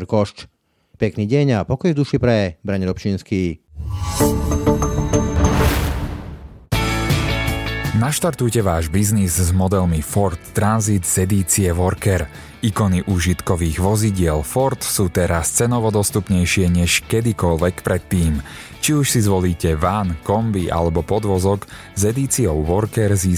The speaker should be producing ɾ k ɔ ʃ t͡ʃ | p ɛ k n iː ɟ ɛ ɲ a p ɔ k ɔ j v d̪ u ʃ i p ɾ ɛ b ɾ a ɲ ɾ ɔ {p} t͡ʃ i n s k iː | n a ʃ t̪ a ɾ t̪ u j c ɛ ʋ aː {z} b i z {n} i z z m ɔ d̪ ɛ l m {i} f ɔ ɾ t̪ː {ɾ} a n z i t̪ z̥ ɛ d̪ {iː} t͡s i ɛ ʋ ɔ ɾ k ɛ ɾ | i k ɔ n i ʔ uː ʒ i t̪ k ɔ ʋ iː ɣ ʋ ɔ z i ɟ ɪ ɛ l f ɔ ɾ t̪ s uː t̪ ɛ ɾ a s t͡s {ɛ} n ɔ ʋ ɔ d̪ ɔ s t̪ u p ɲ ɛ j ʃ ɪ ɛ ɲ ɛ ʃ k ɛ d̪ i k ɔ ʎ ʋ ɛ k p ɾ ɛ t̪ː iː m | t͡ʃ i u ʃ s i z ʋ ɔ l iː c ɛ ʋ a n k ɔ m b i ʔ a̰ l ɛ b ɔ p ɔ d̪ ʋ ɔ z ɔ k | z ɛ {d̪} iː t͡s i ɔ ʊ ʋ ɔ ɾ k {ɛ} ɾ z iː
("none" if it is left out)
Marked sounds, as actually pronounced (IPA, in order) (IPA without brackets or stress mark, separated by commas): p, ʒ, n, i, ɾ, iː, ɛ, d̪, ɛ